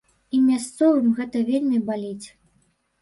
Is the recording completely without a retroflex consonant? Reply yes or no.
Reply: yes